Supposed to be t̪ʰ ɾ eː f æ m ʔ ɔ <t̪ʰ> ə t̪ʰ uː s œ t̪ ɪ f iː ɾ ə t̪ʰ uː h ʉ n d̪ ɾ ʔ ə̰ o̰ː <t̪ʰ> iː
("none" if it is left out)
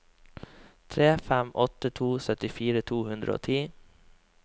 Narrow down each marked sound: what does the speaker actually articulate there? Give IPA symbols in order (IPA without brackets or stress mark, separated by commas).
t̪, t̪ʰ